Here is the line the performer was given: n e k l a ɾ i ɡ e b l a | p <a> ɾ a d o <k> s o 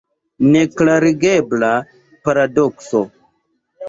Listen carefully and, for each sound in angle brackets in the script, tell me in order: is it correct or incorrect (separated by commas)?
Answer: correct, correct